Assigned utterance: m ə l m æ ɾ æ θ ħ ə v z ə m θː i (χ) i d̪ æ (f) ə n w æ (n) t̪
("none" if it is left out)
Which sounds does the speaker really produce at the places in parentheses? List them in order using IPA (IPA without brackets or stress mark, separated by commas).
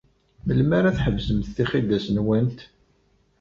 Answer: χ, s, n